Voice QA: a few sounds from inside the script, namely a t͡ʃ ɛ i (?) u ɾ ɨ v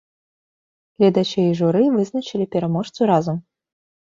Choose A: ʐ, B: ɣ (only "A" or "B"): A